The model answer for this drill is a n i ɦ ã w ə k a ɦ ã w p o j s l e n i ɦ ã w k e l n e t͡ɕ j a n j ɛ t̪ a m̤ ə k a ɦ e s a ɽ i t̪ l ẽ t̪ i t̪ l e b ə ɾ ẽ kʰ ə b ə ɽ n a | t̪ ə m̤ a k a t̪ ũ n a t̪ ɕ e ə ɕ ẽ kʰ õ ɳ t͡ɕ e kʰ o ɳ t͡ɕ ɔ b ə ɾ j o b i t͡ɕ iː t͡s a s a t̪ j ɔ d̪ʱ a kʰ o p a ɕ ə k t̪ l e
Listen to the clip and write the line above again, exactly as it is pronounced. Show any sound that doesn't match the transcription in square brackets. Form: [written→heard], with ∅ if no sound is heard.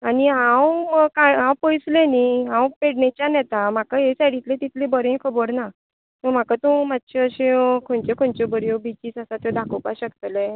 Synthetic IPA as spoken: a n i ɦ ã w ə k a ɦ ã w p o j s l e n i ɦ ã w [k→p] e [l→ɽ] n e t͡ɕ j a n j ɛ t̪ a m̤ [ə→a] k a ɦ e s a ɽ i t̪ l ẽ t̪ i t̪ l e b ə ɾ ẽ kʰ ə b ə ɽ n a | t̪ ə m̤ a k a t̪ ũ [n→m] a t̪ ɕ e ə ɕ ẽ kʰ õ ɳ t͡ɕ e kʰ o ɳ t͡ɕ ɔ b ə ɾ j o b i t͡ɕ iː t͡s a s a t̪ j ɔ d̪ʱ a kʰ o p a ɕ ə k t̪ l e